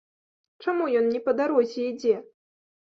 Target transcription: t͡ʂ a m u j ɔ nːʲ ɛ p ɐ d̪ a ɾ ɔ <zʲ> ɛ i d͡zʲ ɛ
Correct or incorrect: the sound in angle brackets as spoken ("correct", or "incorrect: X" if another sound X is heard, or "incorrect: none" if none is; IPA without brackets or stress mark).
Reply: correct